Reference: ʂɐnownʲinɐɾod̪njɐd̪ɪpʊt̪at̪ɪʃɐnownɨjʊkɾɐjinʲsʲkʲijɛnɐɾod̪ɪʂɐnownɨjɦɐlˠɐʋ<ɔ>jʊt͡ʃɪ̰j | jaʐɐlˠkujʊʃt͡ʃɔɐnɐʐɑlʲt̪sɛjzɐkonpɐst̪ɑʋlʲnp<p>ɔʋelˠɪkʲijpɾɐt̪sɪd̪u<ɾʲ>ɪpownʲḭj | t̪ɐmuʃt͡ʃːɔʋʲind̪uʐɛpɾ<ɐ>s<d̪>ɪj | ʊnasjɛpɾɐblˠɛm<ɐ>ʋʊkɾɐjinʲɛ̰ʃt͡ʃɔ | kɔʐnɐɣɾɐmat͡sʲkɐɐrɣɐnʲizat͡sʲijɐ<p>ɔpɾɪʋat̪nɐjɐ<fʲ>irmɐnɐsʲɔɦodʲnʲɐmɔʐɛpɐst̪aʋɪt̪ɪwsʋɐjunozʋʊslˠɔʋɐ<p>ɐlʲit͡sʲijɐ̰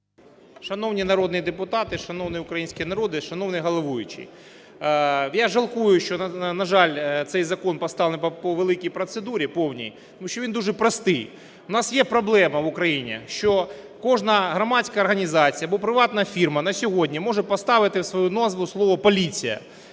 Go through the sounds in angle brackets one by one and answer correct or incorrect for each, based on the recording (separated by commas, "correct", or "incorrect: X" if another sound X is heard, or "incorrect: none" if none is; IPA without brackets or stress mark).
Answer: incorrect: u, correct, correct, correct, incorrect: t̪, correct, incorrect: b, correct, correct